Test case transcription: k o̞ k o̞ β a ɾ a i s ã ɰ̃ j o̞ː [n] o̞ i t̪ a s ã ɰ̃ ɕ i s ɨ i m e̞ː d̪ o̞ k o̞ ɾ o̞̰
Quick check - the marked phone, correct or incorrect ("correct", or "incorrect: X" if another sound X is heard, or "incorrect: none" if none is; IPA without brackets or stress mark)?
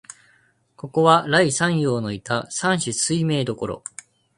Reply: correct